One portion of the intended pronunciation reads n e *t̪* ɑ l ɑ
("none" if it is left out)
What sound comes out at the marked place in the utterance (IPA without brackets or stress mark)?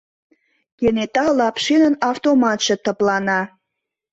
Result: t̪